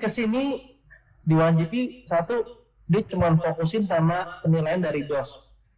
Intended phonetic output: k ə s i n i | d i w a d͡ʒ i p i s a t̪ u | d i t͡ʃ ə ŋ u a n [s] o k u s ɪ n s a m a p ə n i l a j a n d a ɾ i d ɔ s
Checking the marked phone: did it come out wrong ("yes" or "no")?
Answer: yes